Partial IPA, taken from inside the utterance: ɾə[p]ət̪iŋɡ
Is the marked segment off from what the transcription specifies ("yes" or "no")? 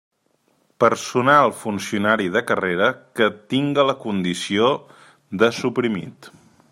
yes